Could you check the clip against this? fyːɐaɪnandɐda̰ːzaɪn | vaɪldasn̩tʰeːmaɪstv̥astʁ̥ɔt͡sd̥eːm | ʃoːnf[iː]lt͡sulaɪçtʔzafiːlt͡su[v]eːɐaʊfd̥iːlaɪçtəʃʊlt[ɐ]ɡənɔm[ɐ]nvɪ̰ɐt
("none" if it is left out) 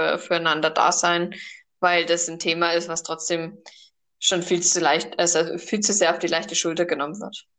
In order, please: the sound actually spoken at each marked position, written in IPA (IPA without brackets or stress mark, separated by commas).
iː, z, ɐ, ə